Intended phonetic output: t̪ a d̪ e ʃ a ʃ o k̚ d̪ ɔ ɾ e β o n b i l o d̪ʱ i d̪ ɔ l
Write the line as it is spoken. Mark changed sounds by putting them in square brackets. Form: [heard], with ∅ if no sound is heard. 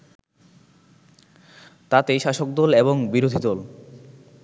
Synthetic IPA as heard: t̪ a [t̪] e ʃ a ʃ o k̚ d̪ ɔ [l] e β o [ŋ] b i [ɾ] o d̪ʱ i d̪ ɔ l